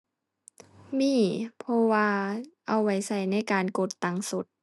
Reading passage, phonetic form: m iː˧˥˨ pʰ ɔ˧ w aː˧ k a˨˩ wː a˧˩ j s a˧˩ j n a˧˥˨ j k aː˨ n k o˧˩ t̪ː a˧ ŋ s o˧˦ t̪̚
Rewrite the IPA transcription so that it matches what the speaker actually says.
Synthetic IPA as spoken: m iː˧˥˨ pʰ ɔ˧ w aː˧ ʔ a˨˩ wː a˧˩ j s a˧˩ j n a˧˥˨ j k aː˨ n k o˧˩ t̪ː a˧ ŋ s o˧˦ t̪̚